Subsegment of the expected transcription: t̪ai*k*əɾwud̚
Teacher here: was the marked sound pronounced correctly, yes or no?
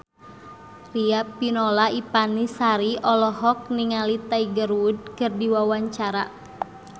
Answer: no